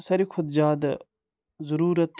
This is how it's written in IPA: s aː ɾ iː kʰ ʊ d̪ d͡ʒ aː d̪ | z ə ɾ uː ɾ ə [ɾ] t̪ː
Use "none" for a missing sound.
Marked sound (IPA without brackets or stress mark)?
none